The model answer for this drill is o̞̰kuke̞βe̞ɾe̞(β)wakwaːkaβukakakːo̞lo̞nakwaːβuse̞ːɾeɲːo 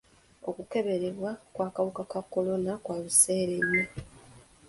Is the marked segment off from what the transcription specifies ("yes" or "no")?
no